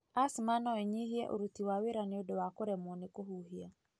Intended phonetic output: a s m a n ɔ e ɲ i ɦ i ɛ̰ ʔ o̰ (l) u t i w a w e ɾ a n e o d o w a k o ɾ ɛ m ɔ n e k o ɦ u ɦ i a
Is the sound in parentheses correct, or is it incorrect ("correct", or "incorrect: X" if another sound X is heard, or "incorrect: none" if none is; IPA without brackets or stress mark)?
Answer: incorrect: ɾ